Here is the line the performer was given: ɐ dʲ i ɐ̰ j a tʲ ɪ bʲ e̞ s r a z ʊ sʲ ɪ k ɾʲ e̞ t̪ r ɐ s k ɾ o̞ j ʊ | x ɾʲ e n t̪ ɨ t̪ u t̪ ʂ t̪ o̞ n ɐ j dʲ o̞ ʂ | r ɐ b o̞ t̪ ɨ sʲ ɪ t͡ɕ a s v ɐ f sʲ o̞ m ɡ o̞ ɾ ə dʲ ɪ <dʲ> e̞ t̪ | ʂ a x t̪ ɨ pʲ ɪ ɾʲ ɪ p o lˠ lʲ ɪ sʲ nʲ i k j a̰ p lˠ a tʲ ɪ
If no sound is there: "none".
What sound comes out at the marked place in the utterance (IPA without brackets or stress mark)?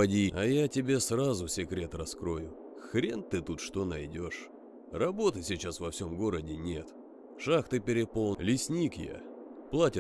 nʲ